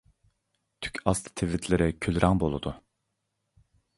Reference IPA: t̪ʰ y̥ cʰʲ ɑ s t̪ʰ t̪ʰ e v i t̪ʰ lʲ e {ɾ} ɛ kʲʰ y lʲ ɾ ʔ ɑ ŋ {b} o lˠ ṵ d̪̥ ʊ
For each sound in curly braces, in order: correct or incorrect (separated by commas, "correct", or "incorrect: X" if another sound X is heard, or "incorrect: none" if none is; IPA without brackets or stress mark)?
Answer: correct, correct